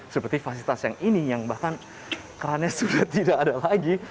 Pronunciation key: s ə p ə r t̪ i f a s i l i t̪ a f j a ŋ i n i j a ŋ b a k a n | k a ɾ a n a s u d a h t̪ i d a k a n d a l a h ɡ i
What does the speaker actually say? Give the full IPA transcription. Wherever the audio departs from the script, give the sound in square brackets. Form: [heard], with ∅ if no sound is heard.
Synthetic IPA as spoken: s ə p ə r t̪ i f a s i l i t̪ a [s] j a ŋ i n i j a ŋ b a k a n | k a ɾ a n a s u d a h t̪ i d a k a [∅] d a l a [∅] ɡ i